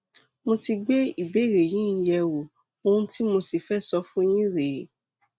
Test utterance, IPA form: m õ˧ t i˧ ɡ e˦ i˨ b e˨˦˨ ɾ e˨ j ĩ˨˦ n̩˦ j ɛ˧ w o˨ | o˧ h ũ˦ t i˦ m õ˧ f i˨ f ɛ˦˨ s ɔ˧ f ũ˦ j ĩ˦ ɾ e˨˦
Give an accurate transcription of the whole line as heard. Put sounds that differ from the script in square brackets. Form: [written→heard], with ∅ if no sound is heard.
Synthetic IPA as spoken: m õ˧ t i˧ [ɡ→ɡ͡b] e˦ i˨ b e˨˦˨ ɾ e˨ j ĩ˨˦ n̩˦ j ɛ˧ w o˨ | o˧ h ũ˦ t i˦ m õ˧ [f→s] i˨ f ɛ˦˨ s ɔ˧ f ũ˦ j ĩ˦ ɾ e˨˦

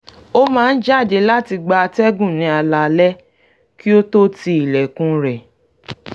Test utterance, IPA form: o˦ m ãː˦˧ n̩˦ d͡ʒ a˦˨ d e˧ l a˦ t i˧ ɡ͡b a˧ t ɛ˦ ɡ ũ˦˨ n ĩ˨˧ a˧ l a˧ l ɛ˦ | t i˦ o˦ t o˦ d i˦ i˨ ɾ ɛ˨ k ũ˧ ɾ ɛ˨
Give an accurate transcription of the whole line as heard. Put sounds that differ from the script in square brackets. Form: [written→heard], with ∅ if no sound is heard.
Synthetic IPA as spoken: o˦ m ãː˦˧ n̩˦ d͡ʒ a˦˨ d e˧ l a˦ t i˧ ɡ͡b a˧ t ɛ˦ ɡ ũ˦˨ n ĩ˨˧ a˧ l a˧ l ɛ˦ | [t→k] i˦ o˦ t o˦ [d→t] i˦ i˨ [ɾ→l] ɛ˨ k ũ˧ ɾ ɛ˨

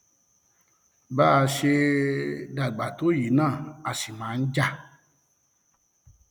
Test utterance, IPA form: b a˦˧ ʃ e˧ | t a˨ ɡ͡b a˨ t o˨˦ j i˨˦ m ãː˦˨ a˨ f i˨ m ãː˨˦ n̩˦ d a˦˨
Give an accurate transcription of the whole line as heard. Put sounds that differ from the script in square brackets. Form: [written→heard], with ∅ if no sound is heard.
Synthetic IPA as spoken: b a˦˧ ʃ e˧ | [t→d] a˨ ɡ͡b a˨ t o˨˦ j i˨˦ [m→n] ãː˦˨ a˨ [f→s] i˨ m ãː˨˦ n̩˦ [d→d͡ʒ] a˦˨

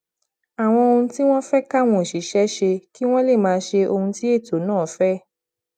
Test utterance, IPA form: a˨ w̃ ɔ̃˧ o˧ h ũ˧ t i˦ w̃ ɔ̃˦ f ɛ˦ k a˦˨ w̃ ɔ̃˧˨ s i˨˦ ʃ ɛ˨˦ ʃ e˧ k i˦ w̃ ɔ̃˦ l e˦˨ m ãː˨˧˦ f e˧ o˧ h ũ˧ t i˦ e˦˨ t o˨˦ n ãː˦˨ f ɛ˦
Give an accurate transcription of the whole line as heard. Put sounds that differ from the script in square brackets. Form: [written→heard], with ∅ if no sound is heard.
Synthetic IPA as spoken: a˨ w̃ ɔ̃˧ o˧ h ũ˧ t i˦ w̃ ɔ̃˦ f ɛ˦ k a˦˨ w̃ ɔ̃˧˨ [s→ʃ] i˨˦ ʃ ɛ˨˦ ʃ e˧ k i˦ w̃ ɔ̃˦ l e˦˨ m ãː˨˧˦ [f→ʃ] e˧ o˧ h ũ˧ t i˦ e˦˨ t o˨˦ n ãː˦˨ f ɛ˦

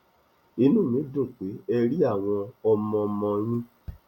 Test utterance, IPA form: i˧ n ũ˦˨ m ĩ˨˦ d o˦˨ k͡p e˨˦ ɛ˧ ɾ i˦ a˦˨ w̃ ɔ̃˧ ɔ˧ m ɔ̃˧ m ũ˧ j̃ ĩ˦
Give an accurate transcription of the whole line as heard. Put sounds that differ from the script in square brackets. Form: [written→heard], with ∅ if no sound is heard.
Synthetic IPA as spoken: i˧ n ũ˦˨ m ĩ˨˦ d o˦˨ k͡p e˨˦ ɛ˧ ɾ i˦ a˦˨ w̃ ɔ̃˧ ɔ˧ m ɔ̃˧ m [ũ˧→ɔ̃˧] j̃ ĩ˦

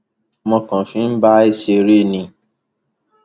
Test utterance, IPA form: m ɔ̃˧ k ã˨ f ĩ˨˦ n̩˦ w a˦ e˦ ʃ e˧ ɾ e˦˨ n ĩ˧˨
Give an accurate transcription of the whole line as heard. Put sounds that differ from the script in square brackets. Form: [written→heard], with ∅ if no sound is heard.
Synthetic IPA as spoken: m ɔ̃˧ k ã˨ f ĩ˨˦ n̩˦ [w→b] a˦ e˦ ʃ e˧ ɾ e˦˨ n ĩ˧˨

